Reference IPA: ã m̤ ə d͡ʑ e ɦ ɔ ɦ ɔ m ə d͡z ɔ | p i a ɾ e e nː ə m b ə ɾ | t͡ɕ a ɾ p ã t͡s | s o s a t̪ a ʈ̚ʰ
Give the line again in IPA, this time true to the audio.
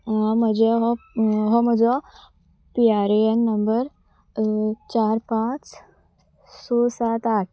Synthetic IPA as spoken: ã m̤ ə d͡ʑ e ɦ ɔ ɦ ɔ m ə d͡z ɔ | p i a ɾ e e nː ə m b ə ɾ | t͡ɕ a ɾ p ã t͡s | s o s a t̪ a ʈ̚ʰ